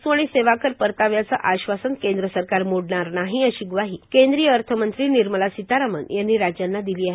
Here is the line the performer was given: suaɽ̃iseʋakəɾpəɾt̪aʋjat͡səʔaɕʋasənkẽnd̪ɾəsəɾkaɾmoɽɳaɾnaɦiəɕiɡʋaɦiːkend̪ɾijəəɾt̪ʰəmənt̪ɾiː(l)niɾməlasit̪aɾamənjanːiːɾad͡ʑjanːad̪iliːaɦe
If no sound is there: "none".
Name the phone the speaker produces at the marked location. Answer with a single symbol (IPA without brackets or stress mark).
none